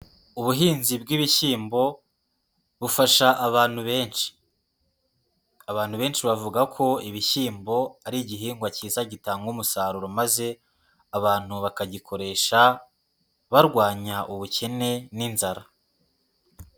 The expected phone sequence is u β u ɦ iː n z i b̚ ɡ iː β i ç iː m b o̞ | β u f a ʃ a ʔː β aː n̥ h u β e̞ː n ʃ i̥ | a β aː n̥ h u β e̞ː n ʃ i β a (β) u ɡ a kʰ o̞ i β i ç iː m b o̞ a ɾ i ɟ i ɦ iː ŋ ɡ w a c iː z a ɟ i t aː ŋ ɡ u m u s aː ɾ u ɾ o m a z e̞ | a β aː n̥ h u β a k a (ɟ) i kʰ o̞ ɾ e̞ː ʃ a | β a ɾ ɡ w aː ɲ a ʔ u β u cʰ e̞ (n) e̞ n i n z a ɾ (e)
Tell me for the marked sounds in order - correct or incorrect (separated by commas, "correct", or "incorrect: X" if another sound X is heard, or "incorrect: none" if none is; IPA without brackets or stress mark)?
incorrect: v, correct, correct, incorrect: a